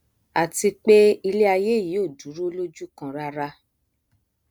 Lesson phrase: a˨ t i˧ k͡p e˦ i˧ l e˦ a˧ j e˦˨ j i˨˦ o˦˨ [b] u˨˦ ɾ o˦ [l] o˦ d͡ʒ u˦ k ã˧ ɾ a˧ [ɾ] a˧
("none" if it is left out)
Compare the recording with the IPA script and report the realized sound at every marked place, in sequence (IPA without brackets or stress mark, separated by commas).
d, l, ɾ